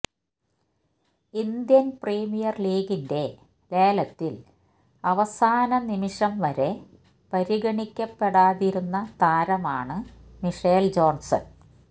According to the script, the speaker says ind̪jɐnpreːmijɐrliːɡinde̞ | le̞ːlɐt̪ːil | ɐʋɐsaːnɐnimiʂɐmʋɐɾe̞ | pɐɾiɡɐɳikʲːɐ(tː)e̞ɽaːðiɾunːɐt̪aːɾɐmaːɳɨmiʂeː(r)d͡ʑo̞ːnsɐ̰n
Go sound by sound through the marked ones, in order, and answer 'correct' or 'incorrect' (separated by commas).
incorrect, incorrect